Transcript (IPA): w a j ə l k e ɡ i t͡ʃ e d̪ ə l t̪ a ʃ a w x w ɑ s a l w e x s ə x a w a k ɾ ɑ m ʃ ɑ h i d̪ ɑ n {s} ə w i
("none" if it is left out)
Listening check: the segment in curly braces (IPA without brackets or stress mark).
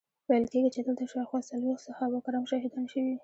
ʃ